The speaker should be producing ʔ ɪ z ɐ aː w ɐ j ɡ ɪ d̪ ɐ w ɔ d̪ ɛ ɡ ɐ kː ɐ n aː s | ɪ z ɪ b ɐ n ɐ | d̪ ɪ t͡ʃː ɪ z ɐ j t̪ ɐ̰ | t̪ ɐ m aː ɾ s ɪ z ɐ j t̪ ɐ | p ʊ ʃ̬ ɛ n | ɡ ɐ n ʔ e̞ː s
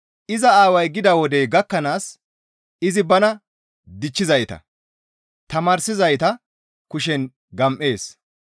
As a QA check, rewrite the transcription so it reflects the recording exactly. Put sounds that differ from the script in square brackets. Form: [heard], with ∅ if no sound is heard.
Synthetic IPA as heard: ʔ ɪ z ɐ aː w ɐ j ɡ ɪ d̪ ɐ w ɔ d̪ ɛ ɡ ɐ kː ɐ n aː s | ɪ z ɪ b ɐ n ɐ | d̪ ɪ t͡ʃː ɪ z ɐ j t̪ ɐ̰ | t̪ ɐ m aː ɾ s ɪ z ɐ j t̪ ɐ | [k] ʊ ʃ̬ ɛ n | ɡ ɐ [m] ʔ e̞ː s